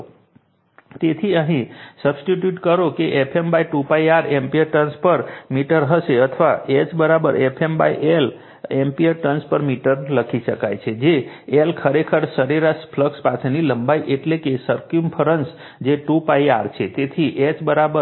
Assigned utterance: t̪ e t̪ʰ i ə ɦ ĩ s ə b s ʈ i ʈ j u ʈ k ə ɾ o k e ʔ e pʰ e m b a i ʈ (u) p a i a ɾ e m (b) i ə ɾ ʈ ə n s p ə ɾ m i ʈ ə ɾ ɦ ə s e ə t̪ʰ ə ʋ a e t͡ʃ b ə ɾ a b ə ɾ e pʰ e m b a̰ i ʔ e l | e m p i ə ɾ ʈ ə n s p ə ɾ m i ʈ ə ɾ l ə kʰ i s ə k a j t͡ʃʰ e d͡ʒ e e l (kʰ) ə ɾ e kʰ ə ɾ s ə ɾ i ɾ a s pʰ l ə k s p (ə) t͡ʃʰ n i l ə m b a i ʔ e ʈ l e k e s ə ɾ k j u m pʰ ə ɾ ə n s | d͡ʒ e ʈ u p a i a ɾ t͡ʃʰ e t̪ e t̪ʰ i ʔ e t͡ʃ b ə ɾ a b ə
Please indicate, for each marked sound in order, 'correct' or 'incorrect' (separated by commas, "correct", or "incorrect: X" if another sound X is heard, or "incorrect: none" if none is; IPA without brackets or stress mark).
correct, incorrect: p, correct, incorrect: a